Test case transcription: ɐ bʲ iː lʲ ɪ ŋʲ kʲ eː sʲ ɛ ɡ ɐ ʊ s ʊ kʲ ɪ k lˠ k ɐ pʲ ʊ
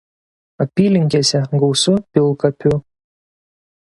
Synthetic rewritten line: ɐ pʲ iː lʲ ɪ ŋʲ kʲ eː sʲ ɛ ɡ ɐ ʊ s ʊ pʲ ɪ lˠ k ɐ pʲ ʊ